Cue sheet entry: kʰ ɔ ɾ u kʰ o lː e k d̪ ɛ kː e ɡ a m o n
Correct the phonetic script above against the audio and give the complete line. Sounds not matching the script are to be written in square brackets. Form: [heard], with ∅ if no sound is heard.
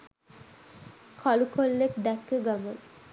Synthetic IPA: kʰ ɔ [l] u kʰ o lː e k d̪ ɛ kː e ɡ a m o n